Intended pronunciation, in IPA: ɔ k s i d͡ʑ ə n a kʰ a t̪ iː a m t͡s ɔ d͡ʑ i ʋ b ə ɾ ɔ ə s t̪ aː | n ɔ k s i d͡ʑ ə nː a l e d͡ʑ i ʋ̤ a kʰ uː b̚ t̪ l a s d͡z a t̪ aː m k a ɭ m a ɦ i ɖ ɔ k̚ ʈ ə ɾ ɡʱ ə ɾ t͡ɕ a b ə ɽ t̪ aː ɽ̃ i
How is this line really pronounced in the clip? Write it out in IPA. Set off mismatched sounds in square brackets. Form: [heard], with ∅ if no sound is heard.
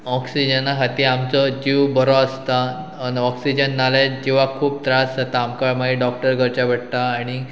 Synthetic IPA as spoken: ɔ k s i d͡ʑ ə n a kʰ a t̪ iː a m t͡s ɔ d͡ʑ i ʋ b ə ɾ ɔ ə s t̪ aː | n ɔ k s i d͡ʑ ə nː a l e d͡ʑ i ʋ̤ a kʰ uː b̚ t̪ [ɾ] a s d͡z a t̪ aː m k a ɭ m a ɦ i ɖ ɔ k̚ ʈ ə ɾ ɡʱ ə ɾ t͡ɕ a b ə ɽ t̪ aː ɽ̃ i